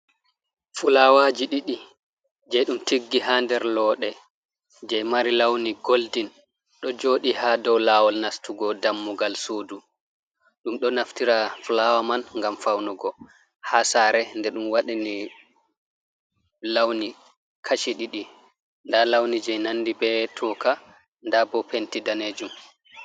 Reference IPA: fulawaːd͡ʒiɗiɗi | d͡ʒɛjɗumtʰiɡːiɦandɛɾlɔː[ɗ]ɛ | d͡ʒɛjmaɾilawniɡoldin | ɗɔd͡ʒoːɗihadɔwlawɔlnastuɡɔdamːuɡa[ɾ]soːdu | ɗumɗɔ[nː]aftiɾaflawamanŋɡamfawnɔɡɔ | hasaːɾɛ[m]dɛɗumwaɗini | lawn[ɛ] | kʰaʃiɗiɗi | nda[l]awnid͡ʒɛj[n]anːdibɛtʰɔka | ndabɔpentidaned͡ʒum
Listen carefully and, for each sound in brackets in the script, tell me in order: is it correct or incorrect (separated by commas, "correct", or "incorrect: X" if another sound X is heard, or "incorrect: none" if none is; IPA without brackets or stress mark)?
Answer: correct, incorrect: l, incorrect: n, incorrect: n, incorrect: i, correct, correct